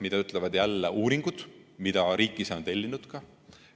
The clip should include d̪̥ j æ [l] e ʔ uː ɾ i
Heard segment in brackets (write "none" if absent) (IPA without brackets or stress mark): lː